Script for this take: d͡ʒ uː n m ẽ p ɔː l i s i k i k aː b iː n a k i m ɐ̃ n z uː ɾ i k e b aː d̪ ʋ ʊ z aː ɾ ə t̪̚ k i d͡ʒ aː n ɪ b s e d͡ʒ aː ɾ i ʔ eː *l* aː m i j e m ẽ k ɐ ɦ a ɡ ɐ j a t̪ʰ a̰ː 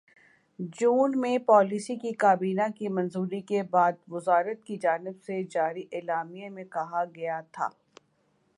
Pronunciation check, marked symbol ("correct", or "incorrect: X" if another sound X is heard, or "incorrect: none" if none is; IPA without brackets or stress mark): correct